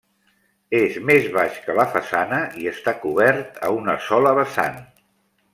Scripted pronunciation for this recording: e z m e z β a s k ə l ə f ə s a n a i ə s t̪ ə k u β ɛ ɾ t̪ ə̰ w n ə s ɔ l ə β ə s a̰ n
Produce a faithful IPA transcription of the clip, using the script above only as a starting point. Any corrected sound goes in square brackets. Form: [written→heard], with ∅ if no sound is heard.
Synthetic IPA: e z m e z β a [s→ʃ] k ə l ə f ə s a n [a→ə] i ə s t̪ [ə→a] k u β ɛ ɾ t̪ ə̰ [w→u] n ə s ɔ l ə β ə s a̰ n